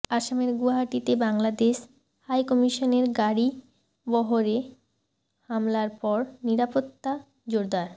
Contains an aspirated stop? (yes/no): no